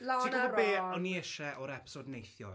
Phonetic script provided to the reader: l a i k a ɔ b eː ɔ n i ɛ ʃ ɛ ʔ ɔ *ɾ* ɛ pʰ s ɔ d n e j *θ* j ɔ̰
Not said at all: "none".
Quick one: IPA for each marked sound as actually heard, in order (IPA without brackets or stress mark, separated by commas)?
ɾ, θ